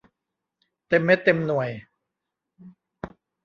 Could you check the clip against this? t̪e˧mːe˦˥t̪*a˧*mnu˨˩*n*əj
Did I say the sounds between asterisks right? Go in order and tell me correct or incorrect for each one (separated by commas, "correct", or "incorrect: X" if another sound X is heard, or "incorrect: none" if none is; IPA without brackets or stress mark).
incorrect: e˧, incorrect: none